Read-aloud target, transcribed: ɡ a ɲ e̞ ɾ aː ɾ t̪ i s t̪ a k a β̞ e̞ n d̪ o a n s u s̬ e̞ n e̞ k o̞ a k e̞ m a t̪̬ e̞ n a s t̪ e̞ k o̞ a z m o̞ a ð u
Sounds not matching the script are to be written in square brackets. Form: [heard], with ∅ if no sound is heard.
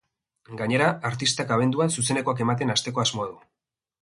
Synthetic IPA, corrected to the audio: ɡ a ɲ e̞ ɾ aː ɾ t̪ i s t̪ a k a β̞ e̞ n d̪ [u] a n s u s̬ e̞ n e̞ k o̞ a k e̞ m a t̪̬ e̞ n a s t̪ e̞ k o̞ a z m o̞ a ð u

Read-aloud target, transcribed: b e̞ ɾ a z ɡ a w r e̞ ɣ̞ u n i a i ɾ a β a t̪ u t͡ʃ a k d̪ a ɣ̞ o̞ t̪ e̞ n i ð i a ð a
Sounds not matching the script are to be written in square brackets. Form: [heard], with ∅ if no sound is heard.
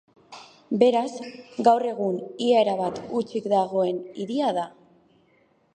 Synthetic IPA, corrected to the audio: b e̞ ɾ a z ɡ a w r e̞ ɣ̞ u n i a [e] ɾ a β a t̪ u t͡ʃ [i] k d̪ a ɣ̞ o̞ [∅] e̞ n i ð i a ð a

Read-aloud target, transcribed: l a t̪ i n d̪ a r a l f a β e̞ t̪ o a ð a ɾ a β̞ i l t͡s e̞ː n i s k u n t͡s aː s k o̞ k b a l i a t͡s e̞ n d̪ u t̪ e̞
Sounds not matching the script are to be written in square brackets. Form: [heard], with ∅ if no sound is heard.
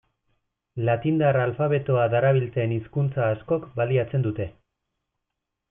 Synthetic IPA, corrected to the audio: l a t̪ i n d̪ a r a l f a β e̞ t̪ o a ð a ɾ a β̞ i l t͡s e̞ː n i s k u n t͡s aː s k o̞ k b a l i a t͡s e̞ n d̪ u t̪ e̞

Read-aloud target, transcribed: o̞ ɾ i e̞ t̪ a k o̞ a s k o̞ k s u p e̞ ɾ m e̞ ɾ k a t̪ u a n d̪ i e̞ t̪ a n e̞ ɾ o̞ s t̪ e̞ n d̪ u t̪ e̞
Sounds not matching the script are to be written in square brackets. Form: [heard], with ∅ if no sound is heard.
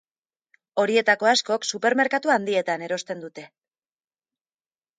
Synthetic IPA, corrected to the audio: o̞ ɾ i e̞ t̪ a k o̞ a s k o̞ k s u p e̞ ɾ m e̞ ɾ k a t̪ u a n d̪ i e̞ t̪ a n e̞ ɾ o̞ s t̪ e̞ n d̪ u t̪ e̞

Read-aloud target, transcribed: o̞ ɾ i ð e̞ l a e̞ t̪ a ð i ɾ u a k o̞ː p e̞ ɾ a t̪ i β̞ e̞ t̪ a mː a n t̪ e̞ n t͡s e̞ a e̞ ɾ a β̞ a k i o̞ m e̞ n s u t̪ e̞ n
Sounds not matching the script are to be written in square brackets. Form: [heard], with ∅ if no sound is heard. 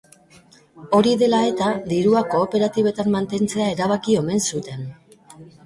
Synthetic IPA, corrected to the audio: o̞ ɾ i ð e̞ l a e̞ t̪ a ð i ɾ u a k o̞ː p e̞ ɾ a t̪ i β̞ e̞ t̪ a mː a n t̪ e̞ n t͡s e̞ a e̞ ɾ a β̞ a k i o̞ m e̞ n s u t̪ e̞ n

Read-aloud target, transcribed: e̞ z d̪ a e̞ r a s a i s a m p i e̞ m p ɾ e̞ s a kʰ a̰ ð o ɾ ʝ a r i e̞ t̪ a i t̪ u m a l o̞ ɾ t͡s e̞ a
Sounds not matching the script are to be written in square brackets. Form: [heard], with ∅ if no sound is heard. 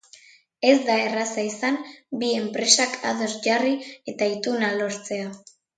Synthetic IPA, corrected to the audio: e̞ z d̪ a e̞ r a s a i s a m [b] i e̞ m p ɾ e̞ s a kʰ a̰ ð o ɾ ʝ a r i e̞ t̪ a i t̪ u [n] a l o̞ ɾ t͡s e̞ a

